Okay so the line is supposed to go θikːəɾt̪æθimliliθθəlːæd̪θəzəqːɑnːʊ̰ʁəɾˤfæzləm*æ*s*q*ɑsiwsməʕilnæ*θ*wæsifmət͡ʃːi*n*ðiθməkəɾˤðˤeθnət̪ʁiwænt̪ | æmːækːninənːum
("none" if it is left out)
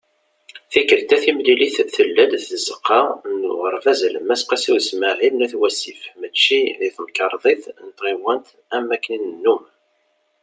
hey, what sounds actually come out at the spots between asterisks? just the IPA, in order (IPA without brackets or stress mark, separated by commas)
æ, q, θ, none